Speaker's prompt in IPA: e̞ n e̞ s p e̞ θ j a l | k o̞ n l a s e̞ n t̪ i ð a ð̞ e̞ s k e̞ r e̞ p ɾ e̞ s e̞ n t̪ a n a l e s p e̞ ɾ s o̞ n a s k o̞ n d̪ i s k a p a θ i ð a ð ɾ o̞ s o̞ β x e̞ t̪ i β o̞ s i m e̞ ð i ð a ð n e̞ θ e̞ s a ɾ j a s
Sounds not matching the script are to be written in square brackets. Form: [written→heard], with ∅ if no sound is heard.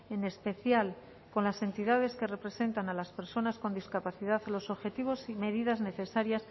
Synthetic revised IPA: e̞ n e̞ s p e̞ θ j a l | k o̞ n l a s e̞ n t̪ i ð a ð̞ e̞ s k e̞ r e̞ p ɾ e̞ s e̞ n t̪ a n a l [e→a] s p e̞ ɾ s o̞ n a s k o̞ n d̪ i s k a p a θ i ð a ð [ɾ→l] o̞ s o̞ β x e̞ t̪ i β o̞ s i m e̞ ð i ð a [ð→z] n e̞ θ e̞ s a ɾ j a s